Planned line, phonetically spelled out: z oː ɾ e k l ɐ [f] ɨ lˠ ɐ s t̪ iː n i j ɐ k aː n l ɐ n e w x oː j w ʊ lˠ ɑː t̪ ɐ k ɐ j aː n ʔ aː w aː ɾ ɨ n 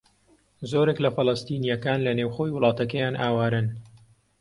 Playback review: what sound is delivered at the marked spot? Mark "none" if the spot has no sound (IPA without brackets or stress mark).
f